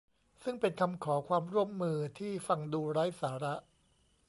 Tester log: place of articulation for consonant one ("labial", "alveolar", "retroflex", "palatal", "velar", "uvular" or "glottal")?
alveolar